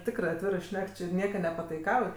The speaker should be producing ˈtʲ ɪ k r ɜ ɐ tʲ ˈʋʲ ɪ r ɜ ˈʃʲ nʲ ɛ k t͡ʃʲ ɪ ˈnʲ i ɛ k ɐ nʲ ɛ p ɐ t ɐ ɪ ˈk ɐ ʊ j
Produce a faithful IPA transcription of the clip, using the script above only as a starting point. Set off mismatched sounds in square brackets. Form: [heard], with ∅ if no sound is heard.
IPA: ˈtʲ ɪ k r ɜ ɐ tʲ ˈʋʲ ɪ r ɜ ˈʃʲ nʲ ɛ k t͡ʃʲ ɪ ˈnʲ i ɛ k ɐ nʲ ɛ p ɐ t ɐ ɪ ˈk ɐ ʊ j